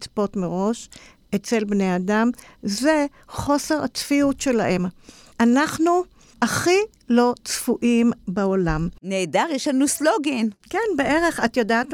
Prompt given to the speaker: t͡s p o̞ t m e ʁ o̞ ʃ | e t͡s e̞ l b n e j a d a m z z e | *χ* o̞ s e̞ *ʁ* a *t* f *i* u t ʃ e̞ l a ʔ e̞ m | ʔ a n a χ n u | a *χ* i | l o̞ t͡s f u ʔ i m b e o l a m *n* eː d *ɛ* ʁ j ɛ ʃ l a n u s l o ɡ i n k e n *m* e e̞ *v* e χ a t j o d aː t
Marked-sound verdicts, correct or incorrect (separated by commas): correct, correct, incorrect, correct, correct, correct, incorrect, incorrect, incorrect